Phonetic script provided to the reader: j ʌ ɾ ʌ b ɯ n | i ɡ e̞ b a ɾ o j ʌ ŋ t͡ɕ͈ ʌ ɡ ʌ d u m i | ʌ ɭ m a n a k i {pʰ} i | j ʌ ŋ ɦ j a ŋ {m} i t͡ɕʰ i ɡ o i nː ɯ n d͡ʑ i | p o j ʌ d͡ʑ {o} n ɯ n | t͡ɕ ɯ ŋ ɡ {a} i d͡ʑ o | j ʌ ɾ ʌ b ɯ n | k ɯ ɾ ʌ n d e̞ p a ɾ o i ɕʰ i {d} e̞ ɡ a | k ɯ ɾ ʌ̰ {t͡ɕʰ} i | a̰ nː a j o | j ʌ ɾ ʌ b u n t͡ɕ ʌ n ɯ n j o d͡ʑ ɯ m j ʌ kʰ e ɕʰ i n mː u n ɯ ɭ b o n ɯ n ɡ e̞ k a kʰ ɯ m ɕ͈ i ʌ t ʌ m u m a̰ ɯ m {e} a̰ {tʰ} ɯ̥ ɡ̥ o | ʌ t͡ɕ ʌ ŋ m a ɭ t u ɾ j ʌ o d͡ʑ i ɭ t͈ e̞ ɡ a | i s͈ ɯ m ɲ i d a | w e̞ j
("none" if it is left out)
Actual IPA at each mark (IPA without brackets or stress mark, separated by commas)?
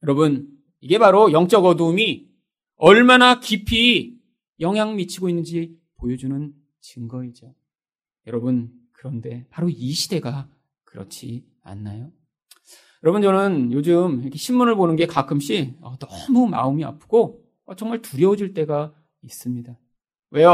pʰ, m, u, ʌ, d, t͡ɕʰ, i, pʰ